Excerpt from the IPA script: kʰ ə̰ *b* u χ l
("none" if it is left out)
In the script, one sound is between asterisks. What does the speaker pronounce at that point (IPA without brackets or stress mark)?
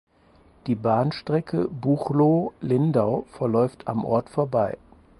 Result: b